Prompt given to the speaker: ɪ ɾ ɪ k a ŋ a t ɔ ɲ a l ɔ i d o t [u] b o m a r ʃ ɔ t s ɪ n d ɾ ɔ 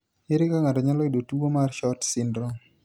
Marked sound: correct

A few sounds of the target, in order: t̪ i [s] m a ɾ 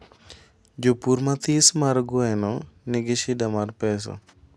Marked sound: correct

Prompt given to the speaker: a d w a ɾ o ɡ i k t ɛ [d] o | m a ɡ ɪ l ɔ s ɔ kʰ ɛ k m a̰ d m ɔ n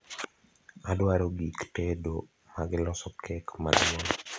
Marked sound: correct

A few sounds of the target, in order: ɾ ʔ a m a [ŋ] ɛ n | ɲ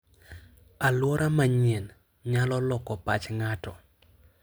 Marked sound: incorrect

